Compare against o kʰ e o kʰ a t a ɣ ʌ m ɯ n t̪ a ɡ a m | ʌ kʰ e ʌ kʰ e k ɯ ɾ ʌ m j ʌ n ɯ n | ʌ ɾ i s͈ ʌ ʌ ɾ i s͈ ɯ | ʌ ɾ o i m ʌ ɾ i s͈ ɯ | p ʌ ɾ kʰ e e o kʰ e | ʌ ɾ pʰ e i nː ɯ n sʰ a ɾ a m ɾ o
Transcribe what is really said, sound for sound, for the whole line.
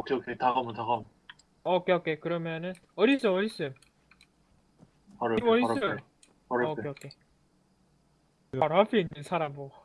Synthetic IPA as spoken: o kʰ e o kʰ e t a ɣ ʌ m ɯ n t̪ a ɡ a m | ʌ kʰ e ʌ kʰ e k ɯ ɾ ʌ m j ʌ n ɯ n | ʌ ɾ i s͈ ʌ ʌ ɾ i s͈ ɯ | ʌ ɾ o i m ʌ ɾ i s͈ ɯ | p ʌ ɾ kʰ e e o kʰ e | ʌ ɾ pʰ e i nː ɯ n sʰ a ɾ a m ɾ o